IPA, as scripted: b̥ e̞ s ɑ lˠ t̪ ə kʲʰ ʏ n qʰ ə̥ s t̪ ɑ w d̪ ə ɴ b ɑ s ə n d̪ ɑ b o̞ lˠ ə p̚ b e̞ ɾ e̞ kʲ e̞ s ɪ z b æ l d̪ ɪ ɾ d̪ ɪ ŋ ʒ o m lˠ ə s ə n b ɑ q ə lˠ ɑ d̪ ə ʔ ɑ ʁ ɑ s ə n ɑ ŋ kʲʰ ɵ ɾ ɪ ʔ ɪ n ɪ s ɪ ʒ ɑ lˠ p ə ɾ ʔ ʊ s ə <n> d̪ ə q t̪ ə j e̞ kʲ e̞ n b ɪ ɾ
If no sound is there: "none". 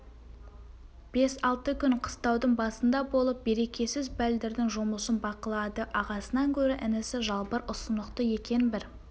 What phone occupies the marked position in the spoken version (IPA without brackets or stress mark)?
n